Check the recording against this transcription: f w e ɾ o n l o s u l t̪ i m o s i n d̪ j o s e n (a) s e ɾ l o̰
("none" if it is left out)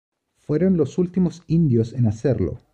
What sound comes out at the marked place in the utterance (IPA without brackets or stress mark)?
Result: a